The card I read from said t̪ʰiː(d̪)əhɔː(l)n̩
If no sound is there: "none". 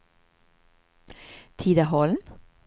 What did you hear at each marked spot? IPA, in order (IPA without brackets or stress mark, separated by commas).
d̪, l